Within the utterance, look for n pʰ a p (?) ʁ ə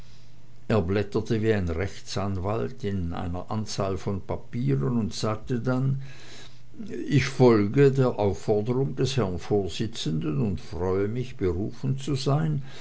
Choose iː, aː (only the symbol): iː